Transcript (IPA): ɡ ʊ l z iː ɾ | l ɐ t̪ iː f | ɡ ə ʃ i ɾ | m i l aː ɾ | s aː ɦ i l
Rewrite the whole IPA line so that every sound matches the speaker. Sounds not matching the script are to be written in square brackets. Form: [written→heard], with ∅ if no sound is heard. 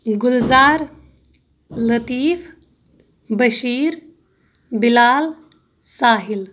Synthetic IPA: ɡ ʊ l z [iː→aː] ɾ | l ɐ t̪ iː f | [ɡ→b] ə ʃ [i→iː] ɾ | [m→b] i l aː [ɾ→l] | s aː ɦ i l

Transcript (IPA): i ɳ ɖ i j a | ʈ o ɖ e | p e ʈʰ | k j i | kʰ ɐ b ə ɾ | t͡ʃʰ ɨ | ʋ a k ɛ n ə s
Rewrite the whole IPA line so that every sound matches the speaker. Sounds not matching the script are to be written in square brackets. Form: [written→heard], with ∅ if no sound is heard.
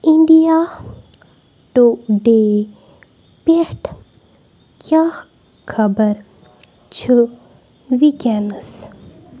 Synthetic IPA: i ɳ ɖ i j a | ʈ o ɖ e | p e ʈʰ | k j [i→a] | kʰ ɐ b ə ɾ | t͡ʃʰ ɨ | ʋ [a→i] k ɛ n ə s

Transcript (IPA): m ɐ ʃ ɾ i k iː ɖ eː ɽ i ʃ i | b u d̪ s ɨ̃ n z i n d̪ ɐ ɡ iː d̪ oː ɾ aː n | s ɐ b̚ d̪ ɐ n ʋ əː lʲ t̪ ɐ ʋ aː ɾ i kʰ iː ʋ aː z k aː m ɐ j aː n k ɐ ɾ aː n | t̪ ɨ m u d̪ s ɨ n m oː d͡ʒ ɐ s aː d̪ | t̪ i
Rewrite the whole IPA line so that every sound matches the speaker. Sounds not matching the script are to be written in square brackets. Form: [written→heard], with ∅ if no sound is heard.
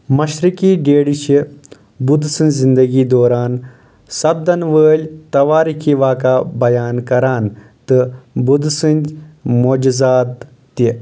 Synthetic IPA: m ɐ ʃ ɾ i k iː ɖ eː ɽ i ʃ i | b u d̪ s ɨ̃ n z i n d̪ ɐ ɡ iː d̪ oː ɾ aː n | s ɐ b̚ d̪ ɐ n ʋ əː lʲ t̪ ɐ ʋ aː ɾ i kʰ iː ʋ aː [z→∅] k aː [m→b] ɐ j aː n k ɐ ɾ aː n | t̪ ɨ [m→b] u d̪ s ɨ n m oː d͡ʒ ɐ [s→z] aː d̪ | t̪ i

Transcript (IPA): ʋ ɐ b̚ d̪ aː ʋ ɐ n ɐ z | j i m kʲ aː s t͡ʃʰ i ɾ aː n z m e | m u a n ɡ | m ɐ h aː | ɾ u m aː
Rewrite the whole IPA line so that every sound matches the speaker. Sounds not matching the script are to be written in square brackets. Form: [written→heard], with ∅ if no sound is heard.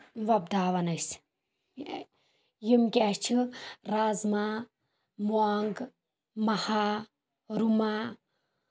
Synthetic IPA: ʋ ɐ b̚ d̪ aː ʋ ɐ n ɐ [z→s] | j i m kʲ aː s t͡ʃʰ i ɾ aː [n→∅] z m [e→a] | m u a [n→ŋ] ɡ | m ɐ h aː | ɾ u m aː

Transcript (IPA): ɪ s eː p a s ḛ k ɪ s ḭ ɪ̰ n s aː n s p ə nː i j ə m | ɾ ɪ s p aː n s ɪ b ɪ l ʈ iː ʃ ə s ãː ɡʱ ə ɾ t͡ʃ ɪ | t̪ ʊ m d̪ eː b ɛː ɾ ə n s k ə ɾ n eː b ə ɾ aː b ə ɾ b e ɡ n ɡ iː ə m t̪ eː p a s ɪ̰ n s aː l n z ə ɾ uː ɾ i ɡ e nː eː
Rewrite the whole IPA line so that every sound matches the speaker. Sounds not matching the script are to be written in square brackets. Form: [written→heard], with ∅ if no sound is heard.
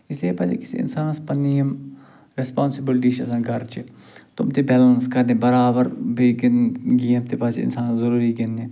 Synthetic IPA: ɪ s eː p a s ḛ k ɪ s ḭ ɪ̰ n s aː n s p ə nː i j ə m | ɾ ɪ s p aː n s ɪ b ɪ l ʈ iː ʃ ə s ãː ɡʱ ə ɾ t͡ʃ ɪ | t̪ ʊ m [d̪→t̪] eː b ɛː [ɾ→l] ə n s k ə ɾ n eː b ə ɾ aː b ə ɾ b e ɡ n ɡ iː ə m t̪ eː p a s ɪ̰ n s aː [l→∅] n z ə ɾ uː ɾ i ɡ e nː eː

